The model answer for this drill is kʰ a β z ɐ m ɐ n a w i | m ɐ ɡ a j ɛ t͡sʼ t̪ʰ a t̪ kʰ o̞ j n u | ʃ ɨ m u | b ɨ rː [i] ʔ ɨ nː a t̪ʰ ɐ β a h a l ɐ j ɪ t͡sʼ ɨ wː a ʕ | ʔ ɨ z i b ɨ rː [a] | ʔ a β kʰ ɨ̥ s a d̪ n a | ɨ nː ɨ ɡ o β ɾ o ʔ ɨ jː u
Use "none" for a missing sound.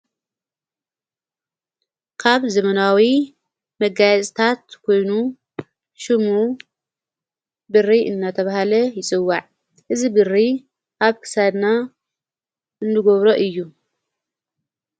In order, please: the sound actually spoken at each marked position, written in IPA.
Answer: i, i

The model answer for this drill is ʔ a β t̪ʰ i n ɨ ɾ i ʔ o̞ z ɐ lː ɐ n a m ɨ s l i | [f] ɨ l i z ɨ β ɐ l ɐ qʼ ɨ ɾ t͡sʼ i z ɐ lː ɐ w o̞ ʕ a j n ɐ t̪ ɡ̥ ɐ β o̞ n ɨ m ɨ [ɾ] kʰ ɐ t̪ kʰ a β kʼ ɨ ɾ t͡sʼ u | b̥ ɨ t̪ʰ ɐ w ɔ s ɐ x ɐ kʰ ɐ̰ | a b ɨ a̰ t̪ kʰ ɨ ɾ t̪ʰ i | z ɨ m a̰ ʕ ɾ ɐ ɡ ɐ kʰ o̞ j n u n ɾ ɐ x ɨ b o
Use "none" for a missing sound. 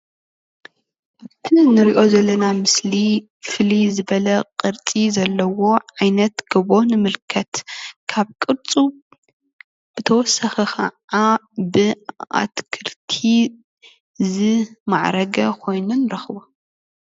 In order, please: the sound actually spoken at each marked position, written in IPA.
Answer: f, l

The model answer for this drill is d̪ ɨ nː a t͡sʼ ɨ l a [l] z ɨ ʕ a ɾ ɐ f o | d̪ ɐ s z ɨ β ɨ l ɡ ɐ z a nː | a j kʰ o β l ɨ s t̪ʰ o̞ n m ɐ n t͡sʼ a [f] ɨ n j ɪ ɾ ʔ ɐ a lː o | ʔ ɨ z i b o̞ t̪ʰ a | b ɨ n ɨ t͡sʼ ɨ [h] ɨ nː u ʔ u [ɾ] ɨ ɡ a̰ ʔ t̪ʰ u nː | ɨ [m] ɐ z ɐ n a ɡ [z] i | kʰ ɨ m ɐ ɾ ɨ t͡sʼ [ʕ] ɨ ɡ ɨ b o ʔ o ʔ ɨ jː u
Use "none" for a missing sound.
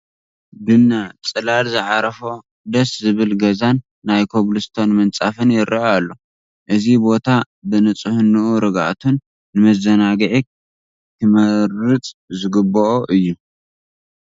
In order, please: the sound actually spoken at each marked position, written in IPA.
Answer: l, f, h, ɾ, m, ʕ, z

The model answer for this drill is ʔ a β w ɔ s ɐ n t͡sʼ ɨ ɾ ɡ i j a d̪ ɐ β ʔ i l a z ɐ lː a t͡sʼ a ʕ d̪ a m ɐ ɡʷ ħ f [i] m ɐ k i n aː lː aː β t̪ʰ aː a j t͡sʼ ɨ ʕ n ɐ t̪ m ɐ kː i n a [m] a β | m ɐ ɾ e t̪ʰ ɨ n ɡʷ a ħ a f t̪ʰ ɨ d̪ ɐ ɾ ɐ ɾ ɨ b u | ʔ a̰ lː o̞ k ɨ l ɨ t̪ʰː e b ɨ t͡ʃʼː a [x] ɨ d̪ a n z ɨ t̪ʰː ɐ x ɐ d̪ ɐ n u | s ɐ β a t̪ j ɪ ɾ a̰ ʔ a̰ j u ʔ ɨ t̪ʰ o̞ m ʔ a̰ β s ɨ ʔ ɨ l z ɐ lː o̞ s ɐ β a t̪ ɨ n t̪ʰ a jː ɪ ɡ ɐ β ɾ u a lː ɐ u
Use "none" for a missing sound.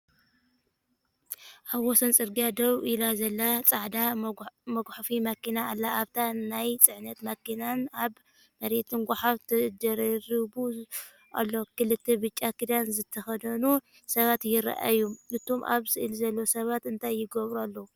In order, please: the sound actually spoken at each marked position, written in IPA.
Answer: i, n, k

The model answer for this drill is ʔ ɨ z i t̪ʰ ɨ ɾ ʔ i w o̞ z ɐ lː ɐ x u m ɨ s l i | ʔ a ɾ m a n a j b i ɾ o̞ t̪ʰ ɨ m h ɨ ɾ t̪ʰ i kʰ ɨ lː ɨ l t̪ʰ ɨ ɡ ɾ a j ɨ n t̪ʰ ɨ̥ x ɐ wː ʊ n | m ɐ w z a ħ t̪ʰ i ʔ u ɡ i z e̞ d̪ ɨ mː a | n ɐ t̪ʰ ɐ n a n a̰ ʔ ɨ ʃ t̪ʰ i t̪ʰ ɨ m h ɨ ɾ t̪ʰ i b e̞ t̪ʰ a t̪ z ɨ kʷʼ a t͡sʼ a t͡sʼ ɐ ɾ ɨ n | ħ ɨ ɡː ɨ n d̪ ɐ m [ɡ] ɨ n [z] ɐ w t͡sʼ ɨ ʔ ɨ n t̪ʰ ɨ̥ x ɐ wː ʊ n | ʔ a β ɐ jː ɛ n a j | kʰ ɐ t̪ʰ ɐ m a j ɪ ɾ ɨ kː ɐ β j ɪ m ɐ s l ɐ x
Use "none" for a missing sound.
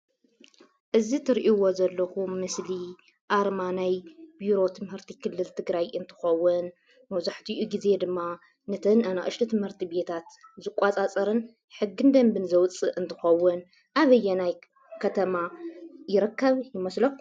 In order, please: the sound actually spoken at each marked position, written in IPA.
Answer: b, z

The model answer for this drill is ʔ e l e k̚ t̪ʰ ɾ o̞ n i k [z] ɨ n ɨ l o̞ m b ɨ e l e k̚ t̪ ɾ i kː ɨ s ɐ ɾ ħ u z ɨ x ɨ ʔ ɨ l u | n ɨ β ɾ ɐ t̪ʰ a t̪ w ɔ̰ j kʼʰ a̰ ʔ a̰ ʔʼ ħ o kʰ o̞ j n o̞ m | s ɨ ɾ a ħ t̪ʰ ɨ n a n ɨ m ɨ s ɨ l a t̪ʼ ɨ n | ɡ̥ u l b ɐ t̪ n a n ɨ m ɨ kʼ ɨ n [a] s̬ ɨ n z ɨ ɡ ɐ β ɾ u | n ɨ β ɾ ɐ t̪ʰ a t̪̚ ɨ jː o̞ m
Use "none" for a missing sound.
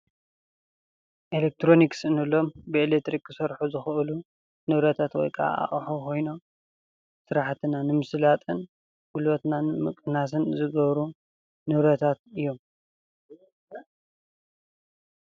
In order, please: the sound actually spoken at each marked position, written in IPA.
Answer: s, a

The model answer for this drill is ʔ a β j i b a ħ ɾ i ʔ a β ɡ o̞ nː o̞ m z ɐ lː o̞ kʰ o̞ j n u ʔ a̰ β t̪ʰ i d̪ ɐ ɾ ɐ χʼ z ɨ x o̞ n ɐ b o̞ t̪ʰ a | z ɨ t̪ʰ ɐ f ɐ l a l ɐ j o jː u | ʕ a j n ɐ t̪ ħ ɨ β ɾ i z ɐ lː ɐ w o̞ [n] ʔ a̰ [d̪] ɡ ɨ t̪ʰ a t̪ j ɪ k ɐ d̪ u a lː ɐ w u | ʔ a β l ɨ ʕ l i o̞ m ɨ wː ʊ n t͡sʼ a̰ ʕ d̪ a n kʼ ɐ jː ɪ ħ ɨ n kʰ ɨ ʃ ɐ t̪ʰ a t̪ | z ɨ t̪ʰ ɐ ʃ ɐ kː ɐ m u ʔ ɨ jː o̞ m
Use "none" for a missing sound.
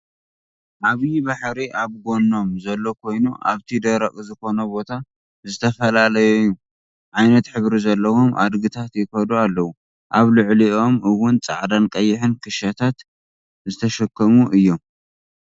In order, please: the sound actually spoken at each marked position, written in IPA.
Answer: m, d̪

